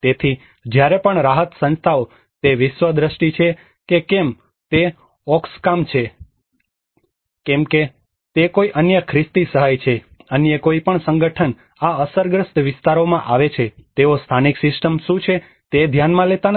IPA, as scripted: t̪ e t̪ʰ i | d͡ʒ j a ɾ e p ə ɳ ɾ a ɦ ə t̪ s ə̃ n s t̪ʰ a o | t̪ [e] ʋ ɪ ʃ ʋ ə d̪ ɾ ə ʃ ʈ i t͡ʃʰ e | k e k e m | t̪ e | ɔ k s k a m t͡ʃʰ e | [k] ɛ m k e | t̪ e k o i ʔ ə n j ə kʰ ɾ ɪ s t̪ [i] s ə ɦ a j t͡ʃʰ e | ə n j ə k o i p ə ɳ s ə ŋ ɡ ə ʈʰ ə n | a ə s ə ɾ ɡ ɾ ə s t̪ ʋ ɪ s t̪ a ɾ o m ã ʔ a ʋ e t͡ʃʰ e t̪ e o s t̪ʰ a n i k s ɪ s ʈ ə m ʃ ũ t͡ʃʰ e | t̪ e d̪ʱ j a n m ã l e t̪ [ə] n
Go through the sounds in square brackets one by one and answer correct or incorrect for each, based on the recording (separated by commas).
correct, correct, correct, incorrect